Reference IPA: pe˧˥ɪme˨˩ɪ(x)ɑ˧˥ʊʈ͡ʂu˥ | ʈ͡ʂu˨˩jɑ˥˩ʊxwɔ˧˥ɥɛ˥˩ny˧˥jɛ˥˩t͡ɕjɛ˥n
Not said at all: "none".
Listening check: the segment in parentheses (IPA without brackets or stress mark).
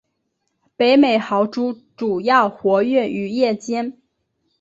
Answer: x